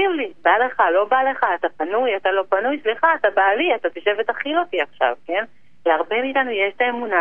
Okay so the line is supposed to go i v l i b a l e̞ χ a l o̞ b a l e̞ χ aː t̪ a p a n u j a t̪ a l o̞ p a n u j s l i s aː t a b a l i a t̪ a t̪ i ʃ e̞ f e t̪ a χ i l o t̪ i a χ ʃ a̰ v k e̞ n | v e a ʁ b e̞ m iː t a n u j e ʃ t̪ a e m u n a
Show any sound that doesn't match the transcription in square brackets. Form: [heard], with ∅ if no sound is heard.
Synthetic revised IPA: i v l i b a l e̞ χ a l o̞ b a l e̞ χ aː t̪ a p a n u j a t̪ a l o̞ p a n u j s l i [χ] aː t a b a l i a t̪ a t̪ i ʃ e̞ [v] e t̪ a χ i l o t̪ i a χ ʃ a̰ v k e̞ n | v e a ʁ b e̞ m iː t a n u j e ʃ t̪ a e m u n a